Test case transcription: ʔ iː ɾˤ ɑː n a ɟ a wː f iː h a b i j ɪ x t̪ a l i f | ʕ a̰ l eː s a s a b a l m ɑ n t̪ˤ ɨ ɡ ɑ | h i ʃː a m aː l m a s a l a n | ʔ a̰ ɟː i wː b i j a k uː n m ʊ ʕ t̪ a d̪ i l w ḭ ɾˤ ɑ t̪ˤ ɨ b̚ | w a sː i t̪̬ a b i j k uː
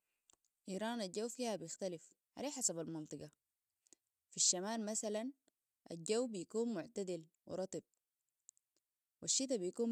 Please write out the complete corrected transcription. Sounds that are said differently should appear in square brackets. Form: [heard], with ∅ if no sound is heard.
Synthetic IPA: ʔ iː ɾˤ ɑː n a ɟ a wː f iː h a b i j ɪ x t̪ a l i f | ʕ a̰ l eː [ħ] a s a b a l m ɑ n t̪ˤ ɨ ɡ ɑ | [f] i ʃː a m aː l m a s a l a n | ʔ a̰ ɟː [a] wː b i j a k uː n m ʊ ʕ t̪ a d̪ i l w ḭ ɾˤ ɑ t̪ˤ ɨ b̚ | w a [ʃː] i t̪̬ a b i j k uː